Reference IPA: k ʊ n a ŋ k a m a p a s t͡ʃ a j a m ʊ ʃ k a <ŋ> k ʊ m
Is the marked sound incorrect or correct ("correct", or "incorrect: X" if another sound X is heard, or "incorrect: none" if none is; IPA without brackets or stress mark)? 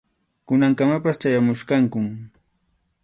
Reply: correct